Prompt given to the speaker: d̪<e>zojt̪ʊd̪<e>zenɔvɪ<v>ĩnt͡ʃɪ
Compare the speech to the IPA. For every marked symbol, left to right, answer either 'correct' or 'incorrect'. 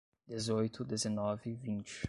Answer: correct, correct, correct

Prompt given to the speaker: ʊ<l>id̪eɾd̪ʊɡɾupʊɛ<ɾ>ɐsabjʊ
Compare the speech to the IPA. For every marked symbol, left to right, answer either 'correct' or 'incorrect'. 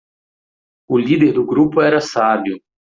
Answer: correct, correct

